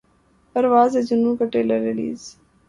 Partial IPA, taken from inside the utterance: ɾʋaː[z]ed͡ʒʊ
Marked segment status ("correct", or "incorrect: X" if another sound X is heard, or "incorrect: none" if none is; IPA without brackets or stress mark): correct